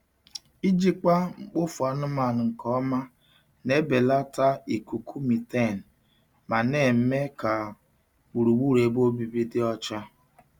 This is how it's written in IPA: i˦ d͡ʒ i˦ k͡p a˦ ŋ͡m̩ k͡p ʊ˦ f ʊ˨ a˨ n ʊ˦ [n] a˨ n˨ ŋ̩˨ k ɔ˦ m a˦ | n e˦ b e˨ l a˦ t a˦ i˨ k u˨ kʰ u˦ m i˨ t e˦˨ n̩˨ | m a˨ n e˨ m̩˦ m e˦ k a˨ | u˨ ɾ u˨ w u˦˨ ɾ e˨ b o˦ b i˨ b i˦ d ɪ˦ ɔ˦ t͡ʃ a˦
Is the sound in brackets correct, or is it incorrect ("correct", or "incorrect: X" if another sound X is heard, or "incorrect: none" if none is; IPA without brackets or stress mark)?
incorrect: m